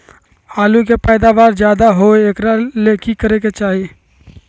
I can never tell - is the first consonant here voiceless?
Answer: no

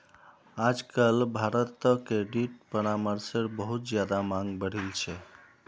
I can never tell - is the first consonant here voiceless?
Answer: no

